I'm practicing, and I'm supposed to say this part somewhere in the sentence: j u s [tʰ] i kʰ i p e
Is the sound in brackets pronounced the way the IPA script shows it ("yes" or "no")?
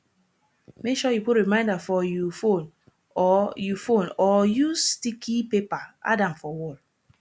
no